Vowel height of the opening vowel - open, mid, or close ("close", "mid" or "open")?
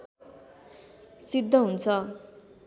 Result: close